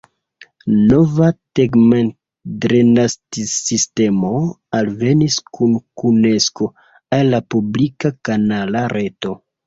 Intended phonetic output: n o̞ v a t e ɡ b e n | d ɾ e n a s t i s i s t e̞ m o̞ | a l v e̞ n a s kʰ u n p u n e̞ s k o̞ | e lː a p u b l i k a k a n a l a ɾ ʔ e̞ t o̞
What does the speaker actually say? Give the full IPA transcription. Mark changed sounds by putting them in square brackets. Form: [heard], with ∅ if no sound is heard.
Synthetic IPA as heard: n o̞ v a t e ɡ [m] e n | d ɾ e n a s t i s i s t e̞ m o̞ | a l v e̞ n [i] s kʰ u n [k] u n e̞ s k o̞ | [a] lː a p u b l i k a k a n a l a ɾ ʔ e̞ t o̞

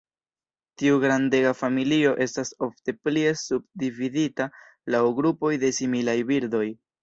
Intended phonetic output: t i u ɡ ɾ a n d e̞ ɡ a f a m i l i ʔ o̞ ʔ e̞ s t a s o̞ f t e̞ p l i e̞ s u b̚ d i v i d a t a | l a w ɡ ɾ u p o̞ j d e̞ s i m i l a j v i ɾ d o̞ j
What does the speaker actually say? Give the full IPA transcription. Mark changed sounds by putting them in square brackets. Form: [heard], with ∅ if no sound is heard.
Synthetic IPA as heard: t i u ɡ ɾ a n d e̞ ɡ a f a m i l i [∅] o̞ ʔ e̞ s t a s o̞ f t e̞ p l i e̞ s u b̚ d i v i d [i] t a | l a w ɡ ɾ u p o̞ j d e̞ s i m i l a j [b] i ɾ d o̞ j

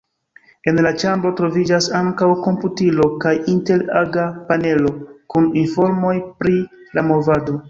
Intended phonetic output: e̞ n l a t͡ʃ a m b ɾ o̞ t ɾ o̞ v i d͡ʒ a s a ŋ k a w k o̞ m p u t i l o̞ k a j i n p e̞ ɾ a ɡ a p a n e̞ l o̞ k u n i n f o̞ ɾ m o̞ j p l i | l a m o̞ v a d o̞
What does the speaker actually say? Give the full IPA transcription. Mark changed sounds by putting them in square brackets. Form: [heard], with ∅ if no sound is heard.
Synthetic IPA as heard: e̞ n l a t͡ʃ a m b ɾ o̞ t ɾ o̞ v i d͡ʒ a s a ŋ k a w k o̞ m p u t i l o̞ k a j i n [t] e̞ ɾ a ɡ a p a n e̞ l o̞ k u n i n f o̞ ɾ m o̞ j p [ɾ] i | l a m o̞ v a d o̞

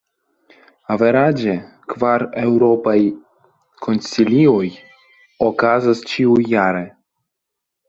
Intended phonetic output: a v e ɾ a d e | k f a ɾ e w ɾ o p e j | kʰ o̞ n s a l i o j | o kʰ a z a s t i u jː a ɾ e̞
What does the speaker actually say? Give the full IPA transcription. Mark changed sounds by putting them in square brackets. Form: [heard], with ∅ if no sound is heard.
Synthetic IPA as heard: a v e ɾ a [d͡ʒ] e | k [v] a ɾ e w ɾ o p [a] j | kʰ o̞ n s [i] l i o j | o [k] a z a s [t͡ʃ] i u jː a ɾ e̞

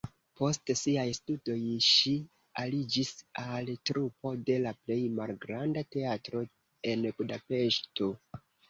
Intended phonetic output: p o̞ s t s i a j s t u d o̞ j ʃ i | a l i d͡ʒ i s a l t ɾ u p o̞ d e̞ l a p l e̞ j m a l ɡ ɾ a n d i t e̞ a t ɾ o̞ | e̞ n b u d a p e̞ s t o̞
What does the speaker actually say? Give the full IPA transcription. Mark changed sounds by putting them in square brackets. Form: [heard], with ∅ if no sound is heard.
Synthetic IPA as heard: p o̞ s t s i a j s t u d o̞ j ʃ i | a l i d͡ʒ i s a l t ɾ u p o̞ d e̞ l a p l e̞ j m a l ɡ ɾ a n d [a] t e̞ a t ɾ o̞ | e̞ n b u d a p e̞ [ʃ] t o̞

